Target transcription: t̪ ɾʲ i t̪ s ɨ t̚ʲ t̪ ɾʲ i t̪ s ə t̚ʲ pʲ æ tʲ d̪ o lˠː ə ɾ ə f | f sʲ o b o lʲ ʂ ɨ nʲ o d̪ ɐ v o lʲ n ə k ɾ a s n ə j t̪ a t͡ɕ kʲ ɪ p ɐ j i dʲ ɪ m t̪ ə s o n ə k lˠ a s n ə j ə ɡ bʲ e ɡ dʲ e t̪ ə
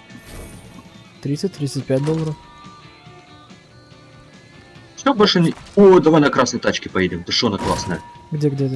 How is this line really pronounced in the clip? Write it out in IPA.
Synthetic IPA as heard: t̪ ɾʲ i t̪ s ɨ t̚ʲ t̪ ɾʲ i t̪ s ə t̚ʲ pʲ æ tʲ d̪ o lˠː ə ɾ ə f | f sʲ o b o lʲ ʂ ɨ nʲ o d̪ ɐ v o lʲ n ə k ɾ a s n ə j t̪ a t͡ɕ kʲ ɪ p ɐ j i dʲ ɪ m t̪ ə ʂ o n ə k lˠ a s n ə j ə ɡ dʲ e ɡ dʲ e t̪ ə